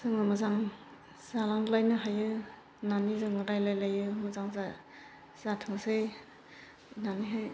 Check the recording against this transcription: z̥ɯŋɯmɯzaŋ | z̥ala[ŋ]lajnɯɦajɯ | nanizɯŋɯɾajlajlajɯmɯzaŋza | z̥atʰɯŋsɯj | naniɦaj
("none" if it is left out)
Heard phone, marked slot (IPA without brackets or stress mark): ŋ